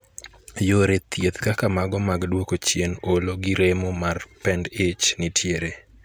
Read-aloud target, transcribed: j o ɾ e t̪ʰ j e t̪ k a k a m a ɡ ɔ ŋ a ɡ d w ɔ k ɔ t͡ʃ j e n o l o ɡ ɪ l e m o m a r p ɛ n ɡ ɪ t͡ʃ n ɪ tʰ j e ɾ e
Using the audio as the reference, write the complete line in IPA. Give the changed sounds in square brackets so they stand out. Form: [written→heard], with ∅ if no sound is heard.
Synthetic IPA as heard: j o ɾ e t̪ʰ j e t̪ k a k a m a ɡ ɔ [ŋ→m] a ɡ d w [ɔ→o] k [ɔ→o] t͡ʃ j e n o l o ɡ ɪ [l→ɾ] e m o m a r p ɛ n [ɡ→d] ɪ t͡ʃ n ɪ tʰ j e ɾ e